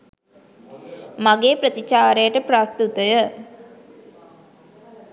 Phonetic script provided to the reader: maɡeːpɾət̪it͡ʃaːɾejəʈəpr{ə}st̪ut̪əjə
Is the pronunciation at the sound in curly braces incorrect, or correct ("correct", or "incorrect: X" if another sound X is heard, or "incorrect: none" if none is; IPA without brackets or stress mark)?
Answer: incorrect: a